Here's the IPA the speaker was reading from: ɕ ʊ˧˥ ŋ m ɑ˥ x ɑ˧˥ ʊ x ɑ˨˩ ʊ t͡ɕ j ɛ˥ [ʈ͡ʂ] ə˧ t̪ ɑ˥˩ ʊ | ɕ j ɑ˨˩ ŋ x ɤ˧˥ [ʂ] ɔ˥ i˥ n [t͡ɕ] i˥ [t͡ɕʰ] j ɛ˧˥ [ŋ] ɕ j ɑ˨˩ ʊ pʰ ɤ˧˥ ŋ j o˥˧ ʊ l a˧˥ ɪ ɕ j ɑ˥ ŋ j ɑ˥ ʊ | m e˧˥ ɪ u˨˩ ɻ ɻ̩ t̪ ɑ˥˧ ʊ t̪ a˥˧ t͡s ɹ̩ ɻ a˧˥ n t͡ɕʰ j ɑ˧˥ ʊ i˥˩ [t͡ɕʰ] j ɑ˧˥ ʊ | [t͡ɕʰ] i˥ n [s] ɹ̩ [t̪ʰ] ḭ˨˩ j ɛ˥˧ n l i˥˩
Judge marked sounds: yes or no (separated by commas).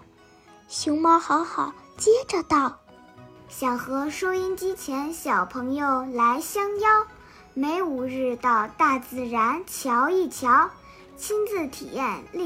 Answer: yes, yes, yes, yes, no, yes, yes, no, yes